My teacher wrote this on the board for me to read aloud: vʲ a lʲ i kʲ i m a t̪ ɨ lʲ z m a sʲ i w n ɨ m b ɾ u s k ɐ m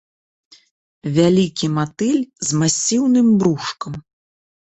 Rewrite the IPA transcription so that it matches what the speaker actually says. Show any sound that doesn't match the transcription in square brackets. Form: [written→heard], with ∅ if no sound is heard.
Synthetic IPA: vʲ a lʲ i kʲ i m a t̪ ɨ lʲ z m a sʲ i w n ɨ m b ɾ u [s→ʂ] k ɐ m